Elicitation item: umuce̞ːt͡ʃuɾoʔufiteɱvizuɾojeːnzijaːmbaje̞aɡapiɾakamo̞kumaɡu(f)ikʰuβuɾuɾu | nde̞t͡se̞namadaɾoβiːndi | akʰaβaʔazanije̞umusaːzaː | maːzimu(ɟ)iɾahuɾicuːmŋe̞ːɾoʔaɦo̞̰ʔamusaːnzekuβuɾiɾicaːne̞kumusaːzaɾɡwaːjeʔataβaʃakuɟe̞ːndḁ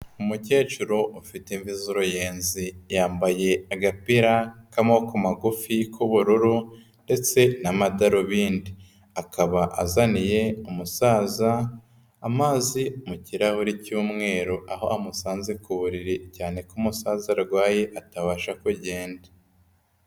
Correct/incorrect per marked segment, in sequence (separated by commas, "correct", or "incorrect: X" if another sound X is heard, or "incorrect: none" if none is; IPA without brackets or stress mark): correct, incorrect: c